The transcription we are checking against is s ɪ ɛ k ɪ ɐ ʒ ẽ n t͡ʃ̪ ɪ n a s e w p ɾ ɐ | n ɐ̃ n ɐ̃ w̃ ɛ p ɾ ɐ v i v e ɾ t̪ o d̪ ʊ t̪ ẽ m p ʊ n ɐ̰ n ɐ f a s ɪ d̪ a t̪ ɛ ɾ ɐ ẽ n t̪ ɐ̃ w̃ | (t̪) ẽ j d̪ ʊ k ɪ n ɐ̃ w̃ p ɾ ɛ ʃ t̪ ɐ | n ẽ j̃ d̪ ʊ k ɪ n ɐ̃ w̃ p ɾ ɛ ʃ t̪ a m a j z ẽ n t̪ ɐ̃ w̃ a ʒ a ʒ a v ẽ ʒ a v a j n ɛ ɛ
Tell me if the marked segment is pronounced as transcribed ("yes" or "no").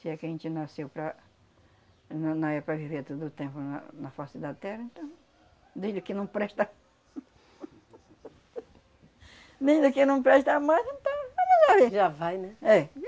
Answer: no